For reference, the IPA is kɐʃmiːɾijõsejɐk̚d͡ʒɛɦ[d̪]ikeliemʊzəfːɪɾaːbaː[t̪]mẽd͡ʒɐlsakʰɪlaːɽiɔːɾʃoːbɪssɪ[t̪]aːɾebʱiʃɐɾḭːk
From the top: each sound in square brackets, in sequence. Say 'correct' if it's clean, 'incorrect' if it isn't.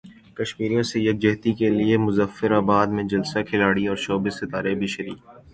incorrect: t̪, incorrect: d̪, correct

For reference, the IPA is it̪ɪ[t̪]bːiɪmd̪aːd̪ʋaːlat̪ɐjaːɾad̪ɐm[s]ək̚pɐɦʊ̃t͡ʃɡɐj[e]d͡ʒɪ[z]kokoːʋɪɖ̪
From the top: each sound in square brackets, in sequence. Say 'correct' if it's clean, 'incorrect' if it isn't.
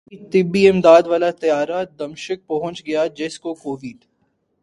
incorrect: none, incorrect: ʃ, incorrect: a, incorrect: s

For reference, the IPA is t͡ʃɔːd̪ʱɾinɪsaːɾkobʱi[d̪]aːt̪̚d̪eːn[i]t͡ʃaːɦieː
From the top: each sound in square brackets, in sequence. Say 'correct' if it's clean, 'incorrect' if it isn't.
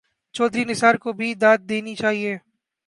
correct, correct

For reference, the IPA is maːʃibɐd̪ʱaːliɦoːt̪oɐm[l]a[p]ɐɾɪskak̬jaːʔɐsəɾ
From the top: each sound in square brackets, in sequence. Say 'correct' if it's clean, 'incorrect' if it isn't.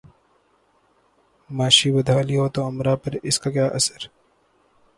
incorrect: ɾ, correct

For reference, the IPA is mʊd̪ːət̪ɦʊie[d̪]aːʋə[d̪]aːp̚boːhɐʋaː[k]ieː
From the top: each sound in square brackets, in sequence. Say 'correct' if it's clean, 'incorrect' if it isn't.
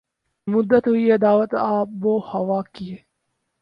correct, incorrect: t̪, correct

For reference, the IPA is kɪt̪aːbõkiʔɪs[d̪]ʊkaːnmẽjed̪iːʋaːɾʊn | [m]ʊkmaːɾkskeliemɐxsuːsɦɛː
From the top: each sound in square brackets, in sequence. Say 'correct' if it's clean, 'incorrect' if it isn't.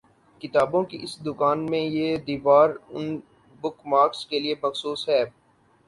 correct, incorrect: b

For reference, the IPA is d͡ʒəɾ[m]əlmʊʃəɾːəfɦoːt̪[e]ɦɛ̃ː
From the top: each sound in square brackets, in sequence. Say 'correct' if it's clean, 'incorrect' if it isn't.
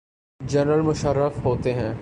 incorrect: n, correct

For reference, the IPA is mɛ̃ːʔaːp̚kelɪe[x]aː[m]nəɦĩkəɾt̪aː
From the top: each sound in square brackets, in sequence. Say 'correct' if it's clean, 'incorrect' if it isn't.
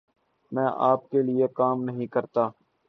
incorrect: k, correct

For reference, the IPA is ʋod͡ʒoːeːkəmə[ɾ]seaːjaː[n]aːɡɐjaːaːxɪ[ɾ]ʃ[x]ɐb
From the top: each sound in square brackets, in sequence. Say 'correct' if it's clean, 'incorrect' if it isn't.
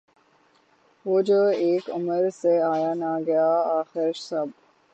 correct, correct, correct, incorrect: s

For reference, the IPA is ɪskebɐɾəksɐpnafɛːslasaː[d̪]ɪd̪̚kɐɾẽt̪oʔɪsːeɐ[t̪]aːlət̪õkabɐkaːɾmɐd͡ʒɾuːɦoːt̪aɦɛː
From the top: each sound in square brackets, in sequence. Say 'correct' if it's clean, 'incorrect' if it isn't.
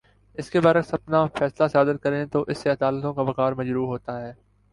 correct, incorrect: d̪

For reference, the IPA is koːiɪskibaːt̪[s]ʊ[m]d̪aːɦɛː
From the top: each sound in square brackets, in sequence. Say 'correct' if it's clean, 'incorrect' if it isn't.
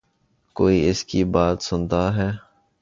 correct, incorrect: n

